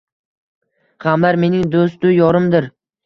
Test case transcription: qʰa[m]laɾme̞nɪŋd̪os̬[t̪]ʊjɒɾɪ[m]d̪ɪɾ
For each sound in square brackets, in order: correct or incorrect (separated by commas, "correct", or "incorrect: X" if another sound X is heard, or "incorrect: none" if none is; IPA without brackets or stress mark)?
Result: correct, correct, correct